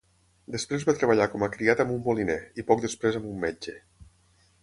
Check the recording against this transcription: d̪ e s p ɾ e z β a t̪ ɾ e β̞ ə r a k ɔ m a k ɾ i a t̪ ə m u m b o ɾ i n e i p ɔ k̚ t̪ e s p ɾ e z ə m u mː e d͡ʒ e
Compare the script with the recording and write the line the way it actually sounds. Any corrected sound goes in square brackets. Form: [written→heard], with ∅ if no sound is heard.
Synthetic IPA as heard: d̪ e s p ɾ e z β a t̪ ɾ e β̞ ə [r→ʎ] a k ɔ m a k ɾ i a t̪ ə m u m b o [ɾ→l] i n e i p ɔ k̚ [t̪→d̪] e s p ɾ e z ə m u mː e d͡ʒ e

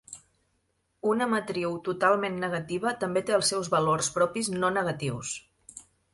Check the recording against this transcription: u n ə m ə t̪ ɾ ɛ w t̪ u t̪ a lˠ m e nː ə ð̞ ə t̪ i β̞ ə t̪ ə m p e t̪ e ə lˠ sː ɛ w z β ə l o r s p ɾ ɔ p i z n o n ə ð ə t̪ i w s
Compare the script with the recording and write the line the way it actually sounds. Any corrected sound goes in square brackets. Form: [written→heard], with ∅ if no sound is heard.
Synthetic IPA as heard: u n ə m ə t̪ ɾ [ɛ→i] w t̪ u t̪ a lˠ m e nː ə [ð̞→ɣ̞] ə t̪ i β̞ ə t̪ ə m [p→b] e t̪ e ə lˠ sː ɛ w z β ə l o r s p ɾ ɔ p i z n o n ə [ð→ɣ] ə t̪ i w s

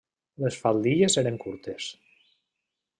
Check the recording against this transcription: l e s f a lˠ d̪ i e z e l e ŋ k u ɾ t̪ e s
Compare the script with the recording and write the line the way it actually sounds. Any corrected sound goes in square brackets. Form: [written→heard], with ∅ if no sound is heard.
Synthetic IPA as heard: l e s f a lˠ d̪ i e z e [l→ɾ] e ŋ k u ɾ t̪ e s

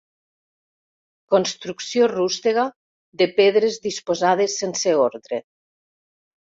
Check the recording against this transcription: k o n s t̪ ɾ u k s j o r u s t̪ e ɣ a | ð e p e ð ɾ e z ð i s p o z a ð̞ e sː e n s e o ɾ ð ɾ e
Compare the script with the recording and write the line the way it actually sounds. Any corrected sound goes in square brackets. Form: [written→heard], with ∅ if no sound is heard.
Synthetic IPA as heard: k o n s t̪ ɾ u k s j o r u s t̪ e ɣ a | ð e p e ð ɾ e z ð i s p o z a ð̞ e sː e n s e o ɾ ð ɾ e

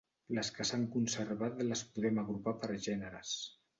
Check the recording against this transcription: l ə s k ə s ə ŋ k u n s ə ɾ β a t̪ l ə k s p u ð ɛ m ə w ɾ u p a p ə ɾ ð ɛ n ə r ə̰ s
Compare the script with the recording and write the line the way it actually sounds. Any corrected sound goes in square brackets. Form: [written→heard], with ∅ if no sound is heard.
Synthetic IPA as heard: l ə s k ə s [ə→a] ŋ k u n s ə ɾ β a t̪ l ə [k→∅] s p u ð ɛ m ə [w→ɣ] ɾ u p a p ə ɾ [ð→ʒ] ɛ n ə [r→ɾ] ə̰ s

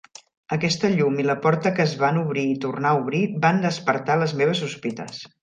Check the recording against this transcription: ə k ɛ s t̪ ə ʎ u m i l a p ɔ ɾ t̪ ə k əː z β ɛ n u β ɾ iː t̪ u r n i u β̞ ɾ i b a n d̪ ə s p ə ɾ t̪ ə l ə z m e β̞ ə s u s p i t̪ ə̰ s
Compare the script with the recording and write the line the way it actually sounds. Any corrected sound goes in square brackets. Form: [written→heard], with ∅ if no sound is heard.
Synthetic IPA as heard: ə k ɛ s t̪ ə ʎ u m i l [a→ə] p ɔ ɾ t̪ ə k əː z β [ɛ→a] n u β ɾ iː t̪ u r n [i→a] u β̞ ɾ i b a n d̪ ə s p ə ɾ t̪ [ə→a] l ə z m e β̞ ə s u s p i t̪ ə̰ s

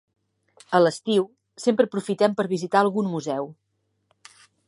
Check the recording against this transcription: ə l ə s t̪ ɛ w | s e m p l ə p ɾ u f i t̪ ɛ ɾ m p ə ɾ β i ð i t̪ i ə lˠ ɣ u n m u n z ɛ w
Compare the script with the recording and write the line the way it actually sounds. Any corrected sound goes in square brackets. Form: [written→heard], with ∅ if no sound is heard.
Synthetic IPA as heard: ə l ə s t̪ [ɛ→i] w | s e m p [l→ɾ] ə p ɾ u f i t̪ ɛ [ɾ→∅] m p ə ɾ β i [ð→z] i t̪ [i→a] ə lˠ ɣ u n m u [n→∅] z ɛ w

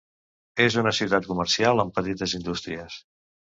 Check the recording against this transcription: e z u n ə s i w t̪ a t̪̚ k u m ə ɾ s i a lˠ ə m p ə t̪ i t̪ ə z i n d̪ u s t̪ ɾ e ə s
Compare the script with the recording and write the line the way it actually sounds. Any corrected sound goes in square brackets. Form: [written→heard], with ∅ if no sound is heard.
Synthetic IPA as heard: e z u n ə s i w t̪ a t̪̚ k u m ə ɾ s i a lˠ ə m p ə t̪ i t̪ ə z i n d̪ u s t̪ ɾ [e→i] ə s

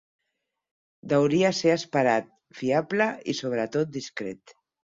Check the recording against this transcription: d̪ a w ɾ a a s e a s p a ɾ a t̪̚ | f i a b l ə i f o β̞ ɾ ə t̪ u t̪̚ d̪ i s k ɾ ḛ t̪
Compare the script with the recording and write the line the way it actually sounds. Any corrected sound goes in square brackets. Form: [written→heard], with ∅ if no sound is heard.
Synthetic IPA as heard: d̪ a w ɾ [a→i] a s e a s p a ɾ a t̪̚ | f i a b l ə i [f→s] o β̞ ɾ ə t̪ [u→o] t̪̚ d̪ i s k ɾ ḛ t̪

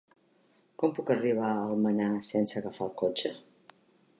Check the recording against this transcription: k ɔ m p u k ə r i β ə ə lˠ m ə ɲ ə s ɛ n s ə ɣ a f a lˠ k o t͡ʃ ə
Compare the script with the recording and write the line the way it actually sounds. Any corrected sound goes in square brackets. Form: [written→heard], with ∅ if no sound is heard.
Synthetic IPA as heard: k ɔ m p u k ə r i β [ə→a] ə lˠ m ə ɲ [ə→a] s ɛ n s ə ɣ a f a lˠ k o t͡ʃ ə

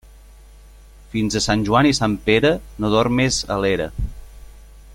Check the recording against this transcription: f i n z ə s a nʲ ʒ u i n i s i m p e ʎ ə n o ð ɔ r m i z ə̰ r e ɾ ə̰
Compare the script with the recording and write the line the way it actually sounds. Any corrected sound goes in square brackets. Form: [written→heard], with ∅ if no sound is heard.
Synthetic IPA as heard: f i n z ə s a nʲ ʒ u [i→a] n i s [i→a] m p e [ʎ→ɾ] ə n o ð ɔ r m [i→e] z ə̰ [r→l] e ɾ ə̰

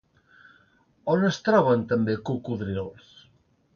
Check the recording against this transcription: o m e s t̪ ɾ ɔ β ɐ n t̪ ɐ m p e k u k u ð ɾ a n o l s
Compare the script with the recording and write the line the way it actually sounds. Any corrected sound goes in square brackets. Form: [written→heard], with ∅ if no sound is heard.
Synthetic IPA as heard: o [m→n] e s t̪ ɾ ɔ β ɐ n t̪ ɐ m [p→b] e k u k u ð ɾ [a→i] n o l s

